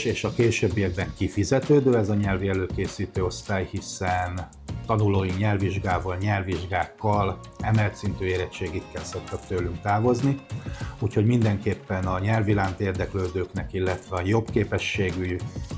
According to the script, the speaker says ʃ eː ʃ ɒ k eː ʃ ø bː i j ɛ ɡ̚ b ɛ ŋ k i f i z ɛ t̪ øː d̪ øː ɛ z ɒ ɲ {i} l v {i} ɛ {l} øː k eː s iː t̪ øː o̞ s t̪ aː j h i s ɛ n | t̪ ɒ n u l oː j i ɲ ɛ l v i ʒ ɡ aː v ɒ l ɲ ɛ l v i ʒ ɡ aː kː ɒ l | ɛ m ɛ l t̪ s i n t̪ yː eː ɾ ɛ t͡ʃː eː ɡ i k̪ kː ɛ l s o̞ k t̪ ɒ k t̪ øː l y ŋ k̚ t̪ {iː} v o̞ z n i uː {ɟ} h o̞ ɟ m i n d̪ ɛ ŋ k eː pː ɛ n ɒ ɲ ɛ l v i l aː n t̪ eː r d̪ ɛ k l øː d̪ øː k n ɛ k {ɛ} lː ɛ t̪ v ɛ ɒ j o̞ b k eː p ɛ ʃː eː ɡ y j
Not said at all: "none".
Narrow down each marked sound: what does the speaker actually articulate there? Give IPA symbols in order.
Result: ɛ, i, l, aː, c, i

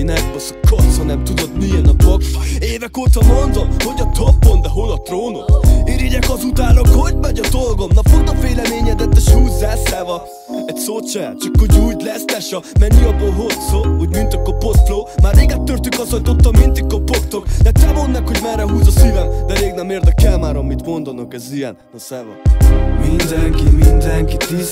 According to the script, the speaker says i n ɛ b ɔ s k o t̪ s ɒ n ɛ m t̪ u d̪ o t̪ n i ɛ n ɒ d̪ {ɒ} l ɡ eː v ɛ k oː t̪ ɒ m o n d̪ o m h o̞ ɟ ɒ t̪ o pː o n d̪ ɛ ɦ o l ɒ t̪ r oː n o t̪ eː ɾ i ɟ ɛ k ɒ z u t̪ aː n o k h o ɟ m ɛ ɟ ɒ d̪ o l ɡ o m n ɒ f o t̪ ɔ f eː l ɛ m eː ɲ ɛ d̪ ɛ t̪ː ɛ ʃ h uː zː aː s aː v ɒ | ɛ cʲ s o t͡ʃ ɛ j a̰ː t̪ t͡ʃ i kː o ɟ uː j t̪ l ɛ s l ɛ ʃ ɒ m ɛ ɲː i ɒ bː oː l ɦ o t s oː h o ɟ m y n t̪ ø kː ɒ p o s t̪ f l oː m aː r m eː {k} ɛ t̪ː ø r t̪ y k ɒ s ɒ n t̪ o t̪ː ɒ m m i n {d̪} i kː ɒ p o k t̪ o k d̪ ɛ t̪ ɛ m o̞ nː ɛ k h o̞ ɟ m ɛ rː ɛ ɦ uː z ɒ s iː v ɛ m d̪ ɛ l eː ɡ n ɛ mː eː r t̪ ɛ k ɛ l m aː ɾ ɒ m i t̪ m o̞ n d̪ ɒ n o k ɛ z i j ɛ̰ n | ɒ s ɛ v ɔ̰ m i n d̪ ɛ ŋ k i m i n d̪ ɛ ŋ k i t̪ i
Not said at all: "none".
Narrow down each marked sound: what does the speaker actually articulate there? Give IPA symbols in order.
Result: o, ɡ, t̪

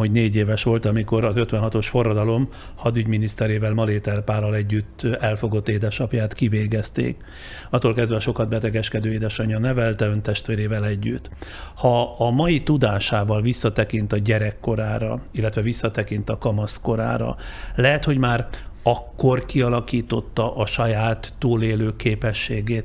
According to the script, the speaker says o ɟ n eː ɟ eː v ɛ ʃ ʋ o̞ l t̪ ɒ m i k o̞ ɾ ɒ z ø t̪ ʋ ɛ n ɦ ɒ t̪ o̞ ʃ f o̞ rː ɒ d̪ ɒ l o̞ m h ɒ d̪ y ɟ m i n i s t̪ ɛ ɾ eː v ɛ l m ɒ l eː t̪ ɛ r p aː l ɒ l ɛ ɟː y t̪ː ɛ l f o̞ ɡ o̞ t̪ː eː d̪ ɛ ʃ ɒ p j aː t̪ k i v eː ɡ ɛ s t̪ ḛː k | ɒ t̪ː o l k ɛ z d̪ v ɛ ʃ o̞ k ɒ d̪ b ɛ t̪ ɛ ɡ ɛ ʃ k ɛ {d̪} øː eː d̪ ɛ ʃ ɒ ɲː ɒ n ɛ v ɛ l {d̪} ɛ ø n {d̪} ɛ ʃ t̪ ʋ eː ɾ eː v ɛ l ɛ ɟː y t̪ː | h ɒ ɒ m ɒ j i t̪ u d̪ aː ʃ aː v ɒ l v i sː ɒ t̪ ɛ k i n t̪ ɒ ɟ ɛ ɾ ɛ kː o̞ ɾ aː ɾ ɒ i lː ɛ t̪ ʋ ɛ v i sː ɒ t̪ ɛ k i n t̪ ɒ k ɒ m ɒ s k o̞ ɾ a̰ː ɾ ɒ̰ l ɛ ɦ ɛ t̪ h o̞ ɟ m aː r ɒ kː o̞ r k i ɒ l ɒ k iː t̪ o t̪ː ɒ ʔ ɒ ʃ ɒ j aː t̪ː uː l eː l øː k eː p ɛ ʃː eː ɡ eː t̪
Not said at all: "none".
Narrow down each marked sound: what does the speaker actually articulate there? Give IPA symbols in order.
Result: d̪, t̪, t̪

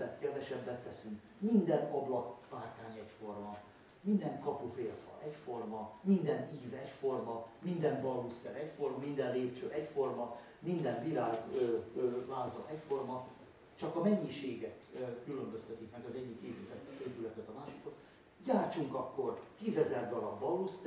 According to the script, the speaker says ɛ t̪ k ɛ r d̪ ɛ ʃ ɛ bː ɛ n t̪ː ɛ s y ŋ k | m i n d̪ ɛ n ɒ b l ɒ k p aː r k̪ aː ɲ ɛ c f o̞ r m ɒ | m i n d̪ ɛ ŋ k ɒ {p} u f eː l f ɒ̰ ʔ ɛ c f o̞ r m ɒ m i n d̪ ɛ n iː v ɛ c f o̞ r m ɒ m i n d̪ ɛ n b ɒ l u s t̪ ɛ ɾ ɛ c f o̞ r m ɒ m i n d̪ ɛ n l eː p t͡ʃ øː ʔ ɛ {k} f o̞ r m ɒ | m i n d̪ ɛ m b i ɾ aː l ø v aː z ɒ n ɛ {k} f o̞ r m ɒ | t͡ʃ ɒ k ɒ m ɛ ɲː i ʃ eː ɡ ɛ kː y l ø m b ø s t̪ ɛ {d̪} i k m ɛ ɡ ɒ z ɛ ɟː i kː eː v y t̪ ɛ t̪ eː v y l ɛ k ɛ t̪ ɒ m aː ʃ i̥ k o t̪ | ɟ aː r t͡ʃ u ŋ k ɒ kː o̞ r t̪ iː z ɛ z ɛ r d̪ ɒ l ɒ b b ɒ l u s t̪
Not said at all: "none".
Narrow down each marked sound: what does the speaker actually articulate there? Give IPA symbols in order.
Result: p, c, c, t̪

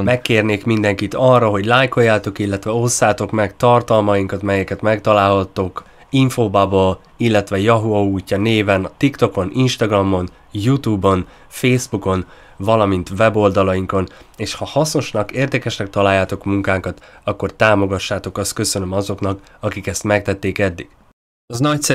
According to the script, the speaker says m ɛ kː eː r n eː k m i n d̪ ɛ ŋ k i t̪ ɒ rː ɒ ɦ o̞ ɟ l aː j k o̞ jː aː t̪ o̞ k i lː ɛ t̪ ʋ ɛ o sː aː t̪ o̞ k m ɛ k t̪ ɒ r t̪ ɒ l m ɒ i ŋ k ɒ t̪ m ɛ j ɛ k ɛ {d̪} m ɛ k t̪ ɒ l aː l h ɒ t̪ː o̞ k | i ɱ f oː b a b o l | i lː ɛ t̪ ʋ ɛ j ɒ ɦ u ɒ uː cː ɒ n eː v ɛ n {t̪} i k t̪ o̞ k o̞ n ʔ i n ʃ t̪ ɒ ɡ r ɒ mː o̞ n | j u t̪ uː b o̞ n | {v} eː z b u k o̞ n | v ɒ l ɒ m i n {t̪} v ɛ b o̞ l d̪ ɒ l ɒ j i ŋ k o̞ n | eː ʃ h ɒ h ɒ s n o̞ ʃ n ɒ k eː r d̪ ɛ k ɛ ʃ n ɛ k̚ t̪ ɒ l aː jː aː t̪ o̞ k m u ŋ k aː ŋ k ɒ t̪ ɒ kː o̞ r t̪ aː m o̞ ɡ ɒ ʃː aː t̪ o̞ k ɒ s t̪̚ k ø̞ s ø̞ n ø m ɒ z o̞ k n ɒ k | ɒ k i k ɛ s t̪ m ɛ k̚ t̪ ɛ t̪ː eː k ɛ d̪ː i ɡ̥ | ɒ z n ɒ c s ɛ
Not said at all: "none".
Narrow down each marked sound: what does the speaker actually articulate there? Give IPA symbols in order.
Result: t̪, t̪, f, t̪

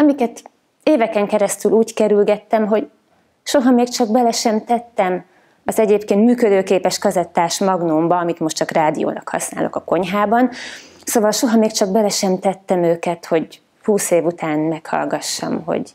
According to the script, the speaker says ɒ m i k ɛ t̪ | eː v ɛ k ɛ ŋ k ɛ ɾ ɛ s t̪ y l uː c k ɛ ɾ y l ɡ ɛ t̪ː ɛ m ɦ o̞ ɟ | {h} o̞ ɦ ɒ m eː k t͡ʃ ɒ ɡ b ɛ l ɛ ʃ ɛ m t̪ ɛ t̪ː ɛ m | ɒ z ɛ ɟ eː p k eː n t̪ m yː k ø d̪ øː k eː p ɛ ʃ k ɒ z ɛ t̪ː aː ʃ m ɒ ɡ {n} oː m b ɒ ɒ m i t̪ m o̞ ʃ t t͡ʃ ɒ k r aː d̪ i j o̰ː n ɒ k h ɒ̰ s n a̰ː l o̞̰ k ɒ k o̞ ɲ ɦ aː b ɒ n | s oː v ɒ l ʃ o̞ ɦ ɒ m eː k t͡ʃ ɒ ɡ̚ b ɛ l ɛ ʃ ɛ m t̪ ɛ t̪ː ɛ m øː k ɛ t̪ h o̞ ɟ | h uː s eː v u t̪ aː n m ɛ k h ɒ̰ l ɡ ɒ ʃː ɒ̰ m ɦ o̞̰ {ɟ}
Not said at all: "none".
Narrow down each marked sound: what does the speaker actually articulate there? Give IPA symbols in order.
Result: ʃ, n, ɟ

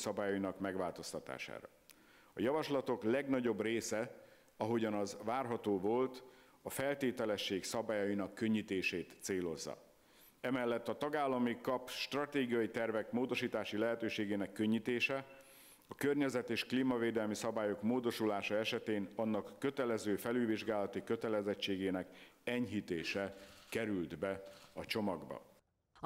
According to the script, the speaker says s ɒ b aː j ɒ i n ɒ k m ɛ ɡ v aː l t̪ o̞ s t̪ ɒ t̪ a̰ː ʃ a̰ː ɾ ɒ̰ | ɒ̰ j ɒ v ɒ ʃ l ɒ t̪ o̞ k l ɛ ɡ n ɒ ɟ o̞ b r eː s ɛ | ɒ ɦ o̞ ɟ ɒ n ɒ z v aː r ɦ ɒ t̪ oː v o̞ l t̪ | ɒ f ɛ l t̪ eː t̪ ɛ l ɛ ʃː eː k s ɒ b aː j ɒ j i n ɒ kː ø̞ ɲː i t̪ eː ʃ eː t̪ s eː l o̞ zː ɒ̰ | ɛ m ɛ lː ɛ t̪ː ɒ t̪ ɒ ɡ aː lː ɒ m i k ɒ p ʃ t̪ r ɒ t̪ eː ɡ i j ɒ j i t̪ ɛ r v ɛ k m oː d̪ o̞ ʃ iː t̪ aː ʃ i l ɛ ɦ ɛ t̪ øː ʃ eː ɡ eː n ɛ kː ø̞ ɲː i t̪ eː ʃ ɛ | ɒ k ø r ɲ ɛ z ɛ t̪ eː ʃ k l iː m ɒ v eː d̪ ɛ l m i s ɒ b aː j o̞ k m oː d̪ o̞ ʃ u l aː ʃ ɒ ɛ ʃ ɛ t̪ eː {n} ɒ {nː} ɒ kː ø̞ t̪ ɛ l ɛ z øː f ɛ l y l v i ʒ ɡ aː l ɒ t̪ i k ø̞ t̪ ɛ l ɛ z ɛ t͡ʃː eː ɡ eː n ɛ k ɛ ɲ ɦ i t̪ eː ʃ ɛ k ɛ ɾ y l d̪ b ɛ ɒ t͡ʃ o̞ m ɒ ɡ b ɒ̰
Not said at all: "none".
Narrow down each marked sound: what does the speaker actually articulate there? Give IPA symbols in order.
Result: n, nː

